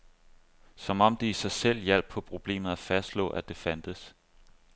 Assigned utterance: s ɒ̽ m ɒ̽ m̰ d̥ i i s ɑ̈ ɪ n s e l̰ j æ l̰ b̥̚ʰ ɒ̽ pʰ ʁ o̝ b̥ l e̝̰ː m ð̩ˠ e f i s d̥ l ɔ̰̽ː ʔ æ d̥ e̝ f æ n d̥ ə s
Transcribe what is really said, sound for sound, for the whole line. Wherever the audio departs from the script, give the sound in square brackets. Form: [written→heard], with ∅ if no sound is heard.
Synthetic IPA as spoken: s ɒ̽ m ɒ̽ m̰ d̥ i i s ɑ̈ ɪ [n→∅] s e l̰ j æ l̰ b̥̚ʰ ɒ̽ pʰ ʁ o̝ b̥ l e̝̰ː m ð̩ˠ [e→æ] f [i→æ] s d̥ l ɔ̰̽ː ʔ æ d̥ e̝ f æ n d̥ ə s